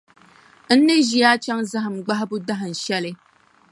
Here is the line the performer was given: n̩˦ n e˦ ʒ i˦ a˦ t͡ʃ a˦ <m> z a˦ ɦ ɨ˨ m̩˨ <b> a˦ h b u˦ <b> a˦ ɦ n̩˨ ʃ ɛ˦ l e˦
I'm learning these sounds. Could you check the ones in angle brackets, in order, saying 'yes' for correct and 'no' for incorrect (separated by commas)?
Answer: no, no, no